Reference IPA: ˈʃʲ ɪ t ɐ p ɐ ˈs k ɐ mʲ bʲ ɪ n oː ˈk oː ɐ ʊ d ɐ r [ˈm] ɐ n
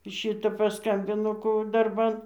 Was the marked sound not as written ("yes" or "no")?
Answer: yes